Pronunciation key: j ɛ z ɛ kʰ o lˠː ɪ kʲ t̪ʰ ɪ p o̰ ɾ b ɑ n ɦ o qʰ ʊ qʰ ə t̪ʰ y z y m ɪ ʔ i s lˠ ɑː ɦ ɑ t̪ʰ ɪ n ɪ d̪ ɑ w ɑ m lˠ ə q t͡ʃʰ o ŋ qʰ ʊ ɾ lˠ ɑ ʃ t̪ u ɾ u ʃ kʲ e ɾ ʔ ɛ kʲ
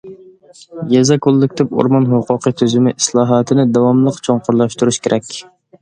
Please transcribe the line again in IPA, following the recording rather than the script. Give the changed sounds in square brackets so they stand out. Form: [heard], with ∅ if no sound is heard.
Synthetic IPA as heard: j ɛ z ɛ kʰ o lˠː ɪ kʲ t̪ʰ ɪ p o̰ ɾ [m] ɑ n ɦ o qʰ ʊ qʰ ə t̪ʰ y z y m ɪ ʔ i s lˠ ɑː ɦ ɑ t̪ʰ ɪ n ɪ d̪ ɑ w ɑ m lˠ ə q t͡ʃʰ o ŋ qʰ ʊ ɾ lˠ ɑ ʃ t̪ u ɾ u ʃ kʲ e ɾ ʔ ɛ kʲ